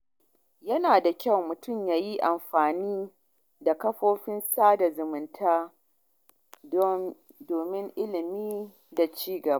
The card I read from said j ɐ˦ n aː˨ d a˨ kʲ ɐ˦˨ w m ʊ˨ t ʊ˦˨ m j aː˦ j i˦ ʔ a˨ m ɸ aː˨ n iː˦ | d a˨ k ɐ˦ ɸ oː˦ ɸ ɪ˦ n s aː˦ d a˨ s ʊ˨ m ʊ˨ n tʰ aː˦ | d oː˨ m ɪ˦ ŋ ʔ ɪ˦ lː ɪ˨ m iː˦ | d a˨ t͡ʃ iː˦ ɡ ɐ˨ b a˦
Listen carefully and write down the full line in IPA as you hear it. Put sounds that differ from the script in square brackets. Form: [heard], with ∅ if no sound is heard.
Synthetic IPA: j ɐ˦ n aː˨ d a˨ kʲ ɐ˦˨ w m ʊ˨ t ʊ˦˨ m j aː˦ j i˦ ʔ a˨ m ɸ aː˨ n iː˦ | d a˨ k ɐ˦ ɸ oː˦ ɸ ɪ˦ n s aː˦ d a˨ [z] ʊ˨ m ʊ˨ n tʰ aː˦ | d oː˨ m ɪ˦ ŋ ʔ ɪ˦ [l] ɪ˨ m iː˦ | d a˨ t͡ʃ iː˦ ɡ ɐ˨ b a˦